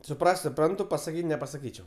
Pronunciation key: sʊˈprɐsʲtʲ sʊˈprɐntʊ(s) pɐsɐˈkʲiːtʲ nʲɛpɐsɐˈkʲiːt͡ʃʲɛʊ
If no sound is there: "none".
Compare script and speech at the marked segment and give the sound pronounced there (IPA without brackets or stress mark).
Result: none